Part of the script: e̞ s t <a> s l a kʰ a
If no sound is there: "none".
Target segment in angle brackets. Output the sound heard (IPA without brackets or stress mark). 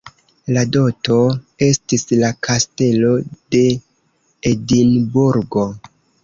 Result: i